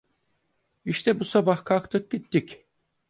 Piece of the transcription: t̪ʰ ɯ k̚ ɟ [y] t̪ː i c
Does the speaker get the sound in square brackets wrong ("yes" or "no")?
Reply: yes